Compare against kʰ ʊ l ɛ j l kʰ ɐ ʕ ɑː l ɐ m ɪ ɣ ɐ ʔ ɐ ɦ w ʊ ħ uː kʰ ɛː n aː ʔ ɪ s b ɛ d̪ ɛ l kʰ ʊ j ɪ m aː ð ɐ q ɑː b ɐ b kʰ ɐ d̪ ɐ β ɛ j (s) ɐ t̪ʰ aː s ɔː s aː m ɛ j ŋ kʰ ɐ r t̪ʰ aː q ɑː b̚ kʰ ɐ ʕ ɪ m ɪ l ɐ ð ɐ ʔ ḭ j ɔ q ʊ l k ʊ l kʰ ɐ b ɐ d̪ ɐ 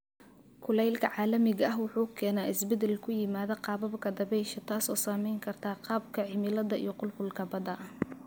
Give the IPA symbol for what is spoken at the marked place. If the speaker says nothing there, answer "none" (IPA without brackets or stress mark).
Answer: ʃ